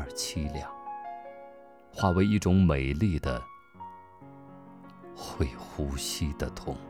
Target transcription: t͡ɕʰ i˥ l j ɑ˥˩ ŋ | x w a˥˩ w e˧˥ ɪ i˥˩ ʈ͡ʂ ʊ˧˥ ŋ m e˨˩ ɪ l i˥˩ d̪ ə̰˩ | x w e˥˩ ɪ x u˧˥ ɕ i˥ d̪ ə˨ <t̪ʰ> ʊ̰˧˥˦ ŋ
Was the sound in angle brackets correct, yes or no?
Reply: yes